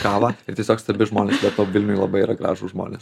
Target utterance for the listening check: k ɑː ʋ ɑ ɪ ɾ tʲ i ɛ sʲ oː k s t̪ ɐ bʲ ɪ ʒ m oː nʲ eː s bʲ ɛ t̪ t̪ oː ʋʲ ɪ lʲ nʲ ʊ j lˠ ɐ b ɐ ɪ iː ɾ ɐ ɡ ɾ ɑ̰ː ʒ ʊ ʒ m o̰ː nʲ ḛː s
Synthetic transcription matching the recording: k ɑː ʋ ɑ ɪ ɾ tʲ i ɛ sʲ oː k s t̪ ɐ bʲ ɪ ʒ m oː nʲ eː s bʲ ɛ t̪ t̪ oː ʋʲ ɪ lʲ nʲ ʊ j lˠ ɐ b ɐ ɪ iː ɾ ɐ ɡ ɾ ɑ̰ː ʒ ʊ ʒ m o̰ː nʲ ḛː s